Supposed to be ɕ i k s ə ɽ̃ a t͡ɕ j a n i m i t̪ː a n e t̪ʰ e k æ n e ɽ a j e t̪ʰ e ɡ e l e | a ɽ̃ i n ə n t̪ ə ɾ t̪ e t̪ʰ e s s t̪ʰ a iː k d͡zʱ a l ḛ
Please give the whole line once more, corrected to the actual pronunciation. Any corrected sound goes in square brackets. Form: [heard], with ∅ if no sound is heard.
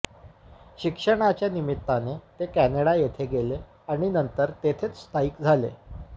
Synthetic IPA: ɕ i k [ʂ] ə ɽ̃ a t͡ɕ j a n i m i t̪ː a n e [t̪] e k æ n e ɽ a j e t̪ʰ e ɡ e l e | a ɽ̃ i n ə n t̪ ə ɾ t̪ e t̪ʰ e [t͡s] s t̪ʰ a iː k d͡zʱ a l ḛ